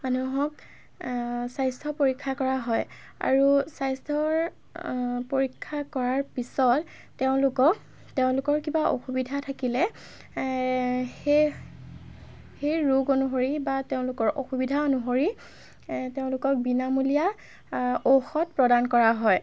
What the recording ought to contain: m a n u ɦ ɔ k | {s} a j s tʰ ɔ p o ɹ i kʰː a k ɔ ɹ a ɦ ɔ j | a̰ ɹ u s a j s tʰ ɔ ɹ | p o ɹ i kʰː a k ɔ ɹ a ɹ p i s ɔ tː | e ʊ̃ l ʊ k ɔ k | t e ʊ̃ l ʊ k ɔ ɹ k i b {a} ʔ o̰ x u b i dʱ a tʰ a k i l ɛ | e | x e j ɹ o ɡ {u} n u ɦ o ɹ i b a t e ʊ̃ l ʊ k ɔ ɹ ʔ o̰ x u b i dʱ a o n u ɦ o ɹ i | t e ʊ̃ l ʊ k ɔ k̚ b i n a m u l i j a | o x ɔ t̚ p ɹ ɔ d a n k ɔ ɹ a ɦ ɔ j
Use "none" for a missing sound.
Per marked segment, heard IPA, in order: s, a, o

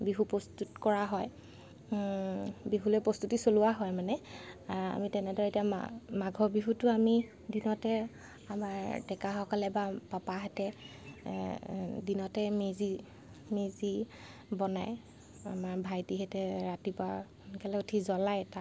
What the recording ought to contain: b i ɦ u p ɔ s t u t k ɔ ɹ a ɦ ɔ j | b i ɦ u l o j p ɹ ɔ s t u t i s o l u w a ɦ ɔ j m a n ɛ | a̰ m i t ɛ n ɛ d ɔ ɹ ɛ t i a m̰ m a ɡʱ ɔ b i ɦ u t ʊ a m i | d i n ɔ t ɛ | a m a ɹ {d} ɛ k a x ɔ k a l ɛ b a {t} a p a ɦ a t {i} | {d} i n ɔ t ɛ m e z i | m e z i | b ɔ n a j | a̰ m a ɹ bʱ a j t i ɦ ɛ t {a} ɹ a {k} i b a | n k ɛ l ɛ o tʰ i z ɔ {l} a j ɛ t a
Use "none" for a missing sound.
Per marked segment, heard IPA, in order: d, p, ɛ, d, ɛ, t, l

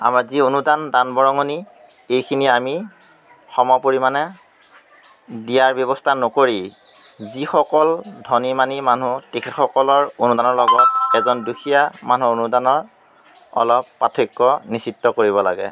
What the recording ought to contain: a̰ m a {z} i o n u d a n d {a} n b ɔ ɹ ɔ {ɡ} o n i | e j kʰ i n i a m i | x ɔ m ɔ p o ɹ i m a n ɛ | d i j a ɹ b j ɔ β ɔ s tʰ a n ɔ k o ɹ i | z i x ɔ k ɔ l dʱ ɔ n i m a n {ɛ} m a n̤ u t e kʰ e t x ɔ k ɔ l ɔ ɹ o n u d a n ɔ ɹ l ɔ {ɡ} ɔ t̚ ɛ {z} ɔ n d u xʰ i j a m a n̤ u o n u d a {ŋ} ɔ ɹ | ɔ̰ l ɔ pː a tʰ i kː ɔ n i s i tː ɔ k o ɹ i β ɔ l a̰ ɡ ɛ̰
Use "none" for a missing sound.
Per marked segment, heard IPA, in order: z, a, ŋ, i, ɡ, z, n

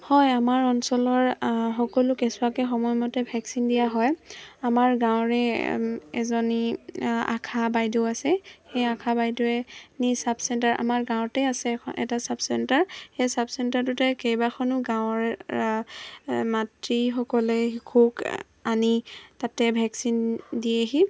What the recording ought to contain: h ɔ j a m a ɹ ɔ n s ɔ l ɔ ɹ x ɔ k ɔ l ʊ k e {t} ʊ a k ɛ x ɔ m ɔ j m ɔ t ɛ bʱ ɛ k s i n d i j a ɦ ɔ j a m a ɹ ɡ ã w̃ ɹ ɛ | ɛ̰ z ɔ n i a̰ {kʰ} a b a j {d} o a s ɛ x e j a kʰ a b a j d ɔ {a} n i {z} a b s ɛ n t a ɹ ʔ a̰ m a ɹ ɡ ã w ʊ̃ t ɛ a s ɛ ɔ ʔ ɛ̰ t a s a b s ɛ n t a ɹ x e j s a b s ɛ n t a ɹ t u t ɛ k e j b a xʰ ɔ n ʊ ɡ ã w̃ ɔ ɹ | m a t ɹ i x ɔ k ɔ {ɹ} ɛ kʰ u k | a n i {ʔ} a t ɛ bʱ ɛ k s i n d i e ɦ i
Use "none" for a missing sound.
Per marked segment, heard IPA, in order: s, kʰ, d, ɛ, s, l, t

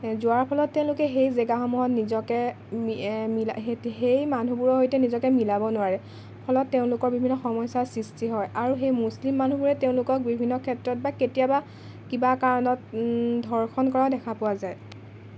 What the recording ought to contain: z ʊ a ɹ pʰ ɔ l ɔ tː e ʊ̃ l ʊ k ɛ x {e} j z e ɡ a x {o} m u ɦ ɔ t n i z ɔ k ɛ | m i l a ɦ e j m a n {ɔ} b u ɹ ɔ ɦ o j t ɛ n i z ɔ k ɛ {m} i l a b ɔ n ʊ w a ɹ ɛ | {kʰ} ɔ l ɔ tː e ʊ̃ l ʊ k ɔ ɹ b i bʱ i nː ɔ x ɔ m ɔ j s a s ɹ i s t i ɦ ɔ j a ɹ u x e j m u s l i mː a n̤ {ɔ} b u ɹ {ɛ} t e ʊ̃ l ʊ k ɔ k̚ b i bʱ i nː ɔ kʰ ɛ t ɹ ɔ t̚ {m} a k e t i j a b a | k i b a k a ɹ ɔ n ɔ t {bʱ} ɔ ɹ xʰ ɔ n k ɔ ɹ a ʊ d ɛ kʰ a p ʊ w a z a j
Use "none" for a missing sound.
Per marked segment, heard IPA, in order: e, ɔ, u, m, pʰ, u, ɛ, b, dʱ

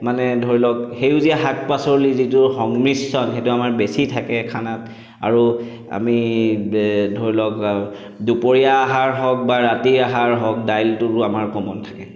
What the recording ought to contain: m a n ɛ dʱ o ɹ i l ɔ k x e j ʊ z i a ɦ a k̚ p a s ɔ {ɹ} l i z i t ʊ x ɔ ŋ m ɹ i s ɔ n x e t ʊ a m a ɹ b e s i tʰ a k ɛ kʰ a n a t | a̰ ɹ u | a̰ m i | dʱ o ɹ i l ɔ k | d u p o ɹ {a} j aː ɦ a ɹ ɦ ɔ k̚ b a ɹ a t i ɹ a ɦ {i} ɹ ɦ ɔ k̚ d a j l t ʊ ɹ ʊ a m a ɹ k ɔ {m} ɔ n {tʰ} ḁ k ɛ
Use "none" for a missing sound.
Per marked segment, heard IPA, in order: ɹ, i, a, m, tʰ

